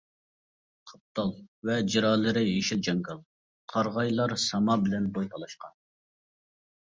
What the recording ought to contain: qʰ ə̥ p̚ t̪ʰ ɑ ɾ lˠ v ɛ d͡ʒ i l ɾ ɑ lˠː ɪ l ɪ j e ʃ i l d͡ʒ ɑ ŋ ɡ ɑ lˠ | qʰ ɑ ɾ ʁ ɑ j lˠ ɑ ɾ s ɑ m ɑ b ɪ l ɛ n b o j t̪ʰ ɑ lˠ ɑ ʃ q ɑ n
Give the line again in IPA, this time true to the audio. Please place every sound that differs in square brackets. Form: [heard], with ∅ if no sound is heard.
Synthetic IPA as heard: qʰ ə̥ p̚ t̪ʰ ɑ [∅] lˠ v ɛ d͡ʒ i [∅] ɾ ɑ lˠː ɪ [ɾ] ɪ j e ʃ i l d͡ʒ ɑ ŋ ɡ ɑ lˠ | qʰ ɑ ɾ ʁ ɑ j lˠ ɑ ɾ s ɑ m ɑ b ɪ l ɛ n b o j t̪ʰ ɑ lˠ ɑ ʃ q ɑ n